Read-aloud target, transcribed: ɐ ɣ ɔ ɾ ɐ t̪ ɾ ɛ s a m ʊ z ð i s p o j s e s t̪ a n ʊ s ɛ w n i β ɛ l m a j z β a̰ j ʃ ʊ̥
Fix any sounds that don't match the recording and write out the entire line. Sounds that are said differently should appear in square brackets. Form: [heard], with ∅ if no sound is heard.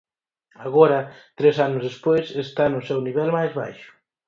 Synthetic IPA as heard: [a] ɣ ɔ ɾ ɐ t̪ ɾ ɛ s a [n] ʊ z ð [e] s p o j s e s t̪ a n ʊ s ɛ w n i β ɛ l m a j z β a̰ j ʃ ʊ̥